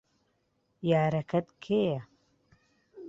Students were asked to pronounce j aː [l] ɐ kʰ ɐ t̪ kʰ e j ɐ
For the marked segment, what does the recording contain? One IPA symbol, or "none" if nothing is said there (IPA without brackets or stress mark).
ɾ